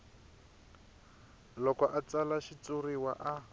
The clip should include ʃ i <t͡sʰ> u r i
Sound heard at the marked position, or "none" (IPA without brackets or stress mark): t͡s